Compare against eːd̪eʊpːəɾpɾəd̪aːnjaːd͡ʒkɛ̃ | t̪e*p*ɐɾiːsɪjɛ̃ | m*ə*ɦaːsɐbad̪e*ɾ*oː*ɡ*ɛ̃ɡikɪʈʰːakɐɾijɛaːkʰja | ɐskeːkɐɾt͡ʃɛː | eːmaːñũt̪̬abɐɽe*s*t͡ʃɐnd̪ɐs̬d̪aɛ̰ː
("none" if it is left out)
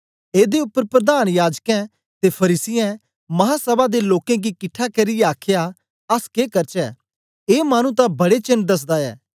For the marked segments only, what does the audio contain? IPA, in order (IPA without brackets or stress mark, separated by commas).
pʰ, ɐ, l, k, none